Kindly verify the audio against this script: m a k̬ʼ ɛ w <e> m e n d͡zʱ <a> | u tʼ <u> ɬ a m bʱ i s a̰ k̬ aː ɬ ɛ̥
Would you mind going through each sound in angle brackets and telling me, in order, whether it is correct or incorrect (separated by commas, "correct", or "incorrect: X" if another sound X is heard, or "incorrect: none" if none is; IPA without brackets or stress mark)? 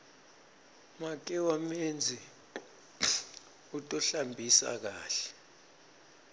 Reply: incorrect: a, incorrect: i, incorrect: ɔ